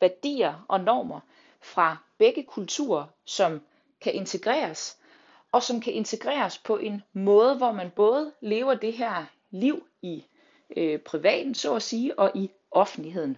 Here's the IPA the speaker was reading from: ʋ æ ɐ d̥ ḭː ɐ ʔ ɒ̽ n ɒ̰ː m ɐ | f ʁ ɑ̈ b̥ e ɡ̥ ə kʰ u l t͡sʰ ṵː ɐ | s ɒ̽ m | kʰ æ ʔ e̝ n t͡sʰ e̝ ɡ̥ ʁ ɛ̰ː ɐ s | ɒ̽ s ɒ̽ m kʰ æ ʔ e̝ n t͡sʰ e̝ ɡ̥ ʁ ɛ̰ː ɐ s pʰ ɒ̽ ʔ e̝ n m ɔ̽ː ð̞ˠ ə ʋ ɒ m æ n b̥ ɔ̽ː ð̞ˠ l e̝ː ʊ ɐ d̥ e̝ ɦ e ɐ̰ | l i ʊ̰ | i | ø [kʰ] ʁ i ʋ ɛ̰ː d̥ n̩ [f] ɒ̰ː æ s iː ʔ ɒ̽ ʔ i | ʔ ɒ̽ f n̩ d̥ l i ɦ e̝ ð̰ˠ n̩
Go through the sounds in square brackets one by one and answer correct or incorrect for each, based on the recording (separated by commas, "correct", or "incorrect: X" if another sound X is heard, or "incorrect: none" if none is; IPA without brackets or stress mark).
incorrect: pʰ, incorrect: s